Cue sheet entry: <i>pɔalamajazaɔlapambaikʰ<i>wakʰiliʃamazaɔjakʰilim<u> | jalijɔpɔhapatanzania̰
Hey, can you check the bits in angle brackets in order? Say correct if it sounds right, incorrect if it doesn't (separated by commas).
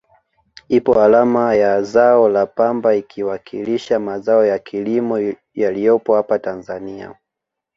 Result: correct, correct, incorrect